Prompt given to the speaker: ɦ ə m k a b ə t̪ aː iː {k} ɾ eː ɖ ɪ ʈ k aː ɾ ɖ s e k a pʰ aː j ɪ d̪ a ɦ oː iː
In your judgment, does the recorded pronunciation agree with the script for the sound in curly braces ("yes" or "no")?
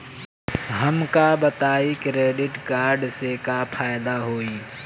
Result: yes